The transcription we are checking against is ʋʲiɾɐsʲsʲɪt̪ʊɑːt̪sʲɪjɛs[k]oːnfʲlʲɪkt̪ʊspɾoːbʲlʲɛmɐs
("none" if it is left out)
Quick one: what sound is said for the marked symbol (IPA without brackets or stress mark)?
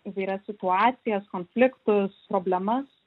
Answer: k